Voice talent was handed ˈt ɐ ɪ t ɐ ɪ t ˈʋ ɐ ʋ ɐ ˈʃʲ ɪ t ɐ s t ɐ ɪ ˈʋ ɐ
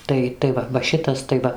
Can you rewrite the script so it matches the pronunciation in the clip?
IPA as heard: ˈt ɐ ɪ t ɐ ɪ ˈʋ ɐ ʋ ɐ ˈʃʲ ɪ t ɐ s t ɐ ɪ ˈʋ ɐ